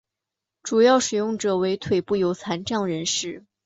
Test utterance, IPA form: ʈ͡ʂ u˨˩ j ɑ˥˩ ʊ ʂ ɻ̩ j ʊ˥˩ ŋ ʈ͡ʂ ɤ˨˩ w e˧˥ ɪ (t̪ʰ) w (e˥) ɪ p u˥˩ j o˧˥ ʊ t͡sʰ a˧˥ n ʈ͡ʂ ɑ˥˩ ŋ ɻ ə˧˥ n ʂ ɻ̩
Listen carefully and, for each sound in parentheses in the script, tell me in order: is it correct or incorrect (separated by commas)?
correct, incorrect